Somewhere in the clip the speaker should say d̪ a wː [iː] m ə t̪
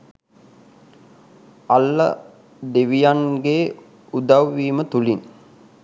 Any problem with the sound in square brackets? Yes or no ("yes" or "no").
no